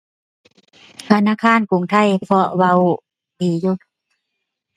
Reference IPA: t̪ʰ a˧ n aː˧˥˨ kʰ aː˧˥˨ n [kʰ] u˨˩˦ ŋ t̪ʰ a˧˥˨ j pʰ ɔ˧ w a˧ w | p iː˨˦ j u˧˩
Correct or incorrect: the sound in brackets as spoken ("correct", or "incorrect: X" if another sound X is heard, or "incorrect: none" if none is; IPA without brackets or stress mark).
incorrect: k